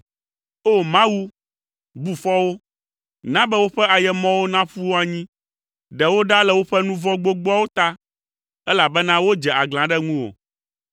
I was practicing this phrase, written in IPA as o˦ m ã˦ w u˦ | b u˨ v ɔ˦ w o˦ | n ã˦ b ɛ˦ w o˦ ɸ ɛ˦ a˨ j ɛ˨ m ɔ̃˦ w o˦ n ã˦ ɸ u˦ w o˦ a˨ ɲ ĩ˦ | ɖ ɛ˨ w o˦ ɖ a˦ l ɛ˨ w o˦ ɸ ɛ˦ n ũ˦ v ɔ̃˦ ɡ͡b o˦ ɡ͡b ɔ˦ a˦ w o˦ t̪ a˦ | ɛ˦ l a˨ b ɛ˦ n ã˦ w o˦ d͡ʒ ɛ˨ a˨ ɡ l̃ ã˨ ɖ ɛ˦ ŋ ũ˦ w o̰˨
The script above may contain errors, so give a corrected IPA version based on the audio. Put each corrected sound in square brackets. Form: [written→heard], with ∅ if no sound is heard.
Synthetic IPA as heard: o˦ m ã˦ w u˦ | b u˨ [v→f] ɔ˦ w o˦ | n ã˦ b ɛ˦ w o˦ ɸ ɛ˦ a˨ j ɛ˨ m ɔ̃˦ w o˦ n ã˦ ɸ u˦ w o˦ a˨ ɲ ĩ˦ | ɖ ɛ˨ w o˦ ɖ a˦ l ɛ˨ w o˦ ɸ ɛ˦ n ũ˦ v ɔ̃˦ ɡ͡b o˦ ɡ͡b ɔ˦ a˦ w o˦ t̪ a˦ | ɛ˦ l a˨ b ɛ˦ n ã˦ w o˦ d͡ʒ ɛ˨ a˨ ɡ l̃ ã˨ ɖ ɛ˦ ŋ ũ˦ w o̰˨

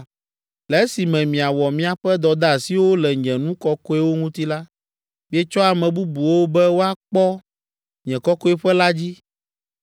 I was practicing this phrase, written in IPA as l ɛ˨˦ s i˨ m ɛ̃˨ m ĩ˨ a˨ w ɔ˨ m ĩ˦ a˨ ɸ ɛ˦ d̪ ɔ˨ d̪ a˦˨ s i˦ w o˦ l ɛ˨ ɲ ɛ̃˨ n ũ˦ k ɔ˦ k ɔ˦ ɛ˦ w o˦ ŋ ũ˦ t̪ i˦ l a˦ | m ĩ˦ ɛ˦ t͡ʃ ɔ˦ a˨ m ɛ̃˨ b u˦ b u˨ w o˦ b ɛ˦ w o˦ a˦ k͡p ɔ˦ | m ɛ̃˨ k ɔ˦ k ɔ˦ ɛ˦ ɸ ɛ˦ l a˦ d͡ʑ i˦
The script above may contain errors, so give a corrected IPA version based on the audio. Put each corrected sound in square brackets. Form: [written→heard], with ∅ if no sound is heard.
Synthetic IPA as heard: l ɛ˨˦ s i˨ m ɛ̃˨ m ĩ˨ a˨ w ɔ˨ m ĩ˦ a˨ ɸ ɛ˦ d̪ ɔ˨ d̪ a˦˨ s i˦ w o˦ l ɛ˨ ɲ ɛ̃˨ n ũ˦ k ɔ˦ k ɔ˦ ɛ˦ w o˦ ŋ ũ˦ t̪ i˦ l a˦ | m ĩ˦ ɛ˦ t͡ʃ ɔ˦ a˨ m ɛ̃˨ b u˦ b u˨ w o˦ b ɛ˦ w o˦ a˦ k͡p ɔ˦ | [m→ɲ] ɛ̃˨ k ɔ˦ k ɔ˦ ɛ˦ ɸ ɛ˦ l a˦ d͡ʑ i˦

